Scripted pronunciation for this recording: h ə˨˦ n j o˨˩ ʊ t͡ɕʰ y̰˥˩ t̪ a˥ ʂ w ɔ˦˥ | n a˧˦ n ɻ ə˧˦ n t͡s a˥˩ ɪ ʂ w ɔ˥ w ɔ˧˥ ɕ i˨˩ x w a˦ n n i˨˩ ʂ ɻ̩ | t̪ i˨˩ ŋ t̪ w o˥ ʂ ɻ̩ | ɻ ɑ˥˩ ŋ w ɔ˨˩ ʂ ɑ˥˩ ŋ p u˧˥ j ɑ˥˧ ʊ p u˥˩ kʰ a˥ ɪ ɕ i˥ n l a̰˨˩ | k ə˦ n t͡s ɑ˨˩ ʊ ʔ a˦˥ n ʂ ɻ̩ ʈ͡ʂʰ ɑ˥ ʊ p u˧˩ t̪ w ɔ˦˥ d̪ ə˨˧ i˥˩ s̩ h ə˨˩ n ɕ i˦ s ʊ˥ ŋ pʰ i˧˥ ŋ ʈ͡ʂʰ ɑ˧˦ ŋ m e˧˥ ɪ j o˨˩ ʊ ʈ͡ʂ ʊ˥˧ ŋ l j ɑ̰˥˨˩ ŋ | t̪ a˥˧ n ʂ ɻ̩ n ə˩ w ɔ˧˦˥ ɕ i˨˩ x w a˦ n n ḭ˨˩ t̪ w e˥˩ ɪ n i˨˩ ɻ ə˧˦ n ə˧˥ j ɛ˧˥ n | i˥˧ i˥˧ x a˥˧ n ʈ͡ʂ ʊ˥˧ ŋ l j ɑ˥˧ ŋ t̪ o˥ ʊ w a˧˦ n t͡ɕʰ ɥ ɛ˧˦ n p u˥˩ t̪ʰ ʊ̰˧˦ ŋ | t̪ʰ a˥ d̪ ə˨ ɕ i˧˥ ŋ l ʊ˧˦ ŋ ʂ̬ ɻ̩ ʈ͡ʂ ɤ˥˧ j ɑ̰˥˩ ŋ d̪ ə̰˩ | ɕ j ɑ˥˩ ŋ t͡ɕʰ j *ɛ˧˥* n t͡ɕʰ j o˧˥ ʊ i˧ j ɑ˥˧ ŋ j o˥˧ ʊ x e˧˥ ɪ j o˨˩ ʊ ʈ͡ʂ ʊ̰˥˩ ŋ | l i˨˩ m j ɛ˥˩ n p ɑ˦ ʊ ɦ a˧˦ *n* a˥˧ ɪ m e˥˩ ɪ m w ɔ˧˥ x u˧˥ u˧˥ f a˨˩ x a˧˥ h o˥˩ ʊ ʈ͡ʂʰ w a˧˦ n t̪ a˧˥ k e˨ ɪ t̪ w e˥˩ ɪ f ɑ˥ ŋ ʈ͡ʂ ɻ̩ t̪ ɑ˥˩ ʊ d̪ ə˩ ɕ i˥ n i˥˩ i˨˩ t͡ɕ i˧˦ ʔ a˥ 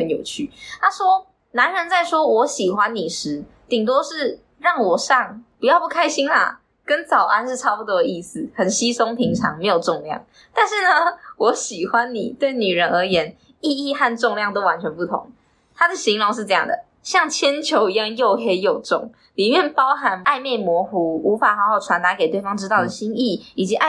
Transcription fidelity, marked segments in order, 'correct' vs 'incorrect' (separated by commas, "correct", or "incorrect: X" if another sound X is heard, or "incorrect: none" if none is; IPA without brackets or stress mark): incorrect: ɛ˥, correct